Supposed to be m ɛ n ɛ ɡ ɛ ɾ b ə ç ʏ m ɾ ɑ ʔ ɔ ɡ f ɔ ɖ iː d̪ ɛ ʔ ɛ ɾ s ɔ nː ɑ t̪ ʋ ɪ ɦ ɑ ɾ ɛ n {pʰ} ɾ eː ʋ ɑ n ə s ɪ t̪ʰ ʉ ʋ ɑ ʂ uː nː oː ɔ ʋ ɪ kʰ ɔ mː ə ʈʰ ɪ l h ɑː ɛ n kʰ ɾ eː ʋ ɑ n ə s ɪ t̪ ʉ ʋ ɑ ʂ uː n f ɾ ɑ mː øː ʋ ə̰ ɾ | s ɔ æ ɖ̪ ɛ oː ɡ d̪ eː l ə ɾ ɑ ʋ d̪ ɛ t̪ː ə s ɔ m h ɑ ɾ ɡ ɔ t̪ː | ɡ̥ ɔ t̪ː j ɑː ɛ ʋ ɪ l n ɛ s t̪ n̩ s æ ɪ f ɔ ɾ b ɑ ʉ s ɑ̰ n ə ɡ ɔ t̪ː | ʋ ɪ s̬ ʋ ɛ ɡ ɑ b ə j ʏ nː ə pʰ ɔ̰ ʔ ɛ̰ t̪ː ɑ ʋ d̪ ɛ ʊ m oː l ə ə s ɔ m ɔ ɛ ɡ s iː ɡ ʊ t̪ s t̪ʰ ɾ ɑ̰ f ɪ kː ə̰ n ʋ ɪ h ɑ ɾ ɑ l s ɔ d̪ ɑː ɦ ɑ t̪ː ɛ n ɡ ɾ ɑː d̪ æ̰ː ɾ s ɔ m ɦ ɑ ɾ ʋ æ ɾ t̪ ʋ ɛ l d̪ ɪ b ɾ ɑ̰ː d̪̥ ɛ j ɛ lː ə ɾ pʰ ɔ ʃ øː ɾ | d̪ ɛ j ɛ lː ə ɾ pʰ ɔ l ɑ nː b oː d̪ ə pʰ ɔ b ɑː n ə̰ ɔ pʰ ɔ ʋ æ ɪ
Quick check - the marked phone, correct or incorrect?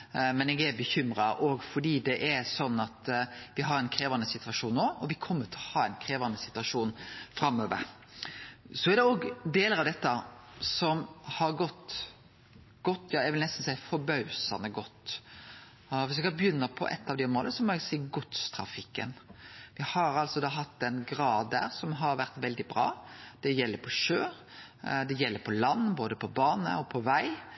incorrect